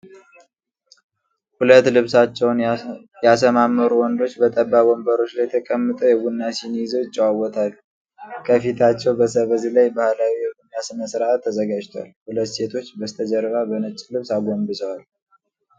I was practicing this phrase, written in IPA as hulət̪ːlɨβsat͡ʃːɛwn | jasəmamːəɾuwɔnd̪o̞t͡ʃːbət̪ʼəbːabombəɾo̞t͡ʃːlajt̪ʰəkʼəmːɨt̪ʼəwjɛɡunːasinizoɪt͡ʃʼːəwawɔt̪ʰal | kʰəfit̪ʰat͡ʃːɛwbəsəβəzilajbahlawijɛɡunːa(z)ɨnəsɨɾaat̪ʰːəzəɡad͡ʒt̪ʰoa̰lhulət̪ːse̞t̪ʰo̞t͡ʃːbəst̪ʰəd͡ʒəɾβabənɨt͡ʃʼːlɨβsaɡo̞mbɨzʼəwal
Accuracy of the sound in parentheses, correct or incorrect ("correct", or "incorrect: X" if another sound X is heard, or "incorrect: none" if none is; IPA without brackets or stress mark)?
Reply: incorrect: s